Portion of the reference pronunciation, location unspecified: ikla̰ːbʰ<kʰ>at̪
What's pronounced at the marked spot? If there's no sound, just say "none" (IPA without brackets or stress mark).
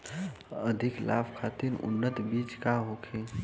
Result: kʰ